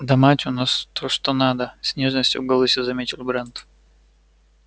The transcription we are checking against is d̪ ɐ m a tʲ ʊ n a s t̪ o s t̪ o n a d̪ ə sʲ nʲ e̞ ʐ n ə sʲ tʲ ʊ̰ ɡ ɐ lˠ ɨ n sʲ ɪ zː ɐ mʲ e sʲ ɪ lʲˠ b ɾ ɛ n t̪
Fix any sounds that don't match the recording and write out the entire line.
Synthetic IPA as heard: d̪ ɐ m a tʲ ʊ n a s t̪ o ʂ t̪ o n a d̪ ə sʲ nʲ e̞ ʐ n ə sʲ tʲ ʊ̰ ɡ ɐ lˠ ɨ sʲ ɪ z ɐ mʲ e tʲ ɪ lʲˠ b ɾ ɛ n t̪